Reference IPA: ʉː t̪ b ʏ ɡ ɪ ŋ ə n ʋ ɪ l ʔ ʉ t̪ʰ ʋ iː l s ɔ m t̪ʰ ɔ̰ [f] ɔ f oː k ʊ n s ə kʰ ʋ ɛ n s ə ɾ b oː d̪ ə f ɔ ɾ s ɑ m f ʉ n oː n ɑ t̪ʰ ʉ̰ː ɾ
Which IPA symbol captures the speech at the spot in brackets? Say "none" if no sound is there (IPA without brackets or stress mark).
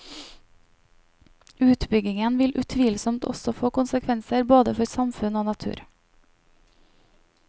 s